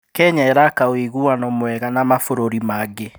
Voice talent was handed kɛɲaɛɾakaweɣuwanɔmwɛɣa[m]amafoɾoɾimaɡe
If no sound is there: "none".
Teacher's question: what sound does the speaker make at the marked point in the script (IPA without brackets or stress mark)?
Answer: n